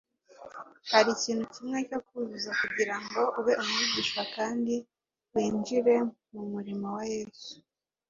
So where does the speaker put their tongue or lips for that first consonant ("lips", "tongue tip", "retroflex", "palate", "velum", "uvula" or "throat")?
throat